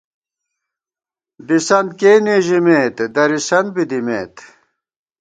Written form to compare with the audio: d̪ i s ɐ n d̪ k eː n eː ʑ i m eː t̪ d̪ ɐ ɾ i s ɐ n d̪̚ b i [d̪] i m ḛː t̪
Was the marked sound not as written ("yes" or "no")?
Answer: no